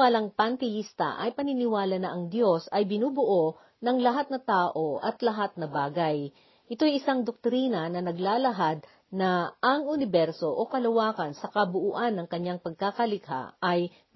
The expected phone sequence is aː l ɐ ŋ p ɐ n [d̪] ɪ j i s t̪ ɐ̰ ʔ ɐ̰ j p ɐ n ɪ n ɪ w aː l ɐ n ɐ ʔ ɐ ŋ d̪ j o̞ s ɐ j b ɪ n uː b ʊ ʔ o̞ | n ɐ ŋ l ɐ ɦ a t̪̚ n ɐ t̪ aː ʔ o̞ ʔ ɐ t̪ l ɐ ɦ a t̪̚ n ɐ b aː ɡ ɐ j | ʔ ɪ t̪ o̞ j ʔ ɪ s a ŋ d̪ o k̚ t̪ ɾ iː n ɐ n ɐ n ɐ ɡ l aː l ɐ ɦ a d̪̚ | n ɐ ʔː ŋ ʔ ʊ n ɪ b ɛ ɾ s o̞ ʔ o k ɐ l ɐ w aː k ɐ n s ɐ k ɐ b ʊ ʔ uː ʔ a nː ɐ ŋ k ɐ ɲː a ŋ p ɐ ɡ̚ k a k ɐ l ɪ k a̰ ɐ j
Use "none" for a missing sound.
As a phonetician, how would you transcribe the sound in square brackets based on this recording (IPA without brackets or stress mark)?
t̪